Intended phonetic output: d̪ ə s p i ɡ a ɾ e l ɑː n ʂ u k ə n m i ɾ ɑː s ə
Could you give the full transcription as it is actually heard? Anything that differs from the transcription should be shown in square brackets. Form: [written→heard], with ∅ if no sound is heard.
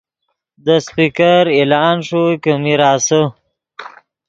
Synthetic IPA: d̪ ə s p i [ɡ→k] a ɾ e l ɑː n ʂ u k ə [n→∅] m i ɾ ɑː s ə